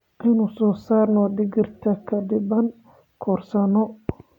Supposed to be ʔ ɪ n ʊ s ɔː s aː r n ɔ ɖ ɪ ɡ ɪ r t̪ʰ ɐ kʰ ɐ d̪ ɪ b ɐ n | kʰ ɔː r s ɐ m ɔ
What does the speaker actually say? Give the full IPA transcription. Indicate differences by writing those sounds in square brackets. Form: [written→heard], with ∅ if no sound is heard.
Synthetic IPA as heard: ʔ ɪ n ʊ s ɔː s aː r n ɔ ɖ ɪ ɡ ɪ r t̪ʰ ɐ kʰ ɐ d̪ ɪ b ɐ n | kʰ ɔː r s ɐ [m→n] ɔ